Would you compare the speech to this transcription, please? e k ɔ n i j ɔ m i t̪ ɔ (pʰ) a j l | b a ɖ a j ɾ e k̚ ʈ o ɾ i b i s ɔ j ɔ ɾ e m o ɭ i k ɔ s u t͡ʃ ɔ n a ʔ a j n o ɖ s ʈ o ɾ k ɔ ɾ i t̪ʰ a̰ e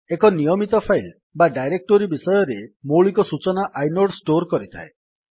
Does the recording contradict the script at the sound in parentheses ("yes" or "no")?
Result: no